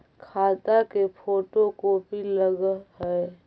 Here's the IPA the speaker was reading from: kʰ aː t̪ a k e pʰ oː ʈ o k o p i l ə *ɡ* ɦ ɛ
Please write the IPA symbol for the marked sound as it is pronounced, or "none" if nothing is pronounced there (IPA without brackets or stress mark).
ɡ